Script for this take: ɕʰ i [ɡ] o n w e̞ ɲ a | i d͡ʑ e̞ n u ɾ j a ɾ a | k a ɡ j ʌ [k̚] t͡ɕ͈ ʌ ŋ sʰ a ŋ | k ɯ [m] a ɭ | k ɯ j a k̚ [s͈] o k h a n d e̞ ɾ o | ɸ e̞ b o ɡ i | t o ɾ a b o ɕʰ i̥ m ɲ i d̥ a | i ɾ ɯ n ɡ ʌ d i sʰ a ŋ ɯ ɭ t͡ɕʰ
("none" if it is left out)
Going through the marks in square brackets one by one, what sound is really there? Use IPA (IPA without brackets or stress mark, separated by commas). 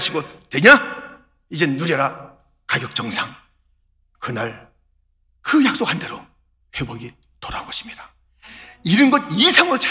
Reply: ɡ, k̚, n, s͈